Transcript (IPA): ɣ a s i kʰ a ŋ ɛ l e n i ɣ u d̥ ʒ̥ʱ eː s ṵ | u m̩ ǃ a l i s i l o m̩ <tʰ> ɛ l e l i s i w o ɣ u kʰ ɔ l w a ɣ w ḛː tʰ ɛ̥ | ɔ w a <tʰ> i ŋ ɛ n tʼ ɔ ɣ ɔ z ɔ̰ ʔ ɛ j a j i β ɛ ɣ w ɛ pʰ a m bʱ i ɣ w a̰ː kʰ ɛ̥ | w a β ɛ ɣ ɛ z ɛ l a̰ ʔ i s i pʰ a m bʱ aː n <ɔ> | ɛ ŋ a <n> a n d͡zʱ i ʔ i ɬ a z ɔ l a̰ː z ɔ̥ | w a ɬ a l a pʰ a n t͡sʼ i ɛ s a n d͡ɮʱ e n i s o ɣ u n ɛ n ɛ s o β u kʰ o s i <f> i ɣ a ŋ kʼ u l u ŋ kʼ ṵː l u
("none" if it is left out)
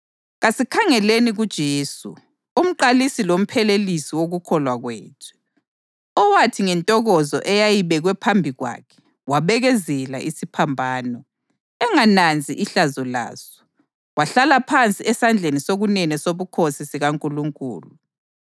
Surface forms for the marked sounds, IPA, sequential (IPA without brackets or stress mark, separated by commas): pʰ, tʰ, ɔ, n, s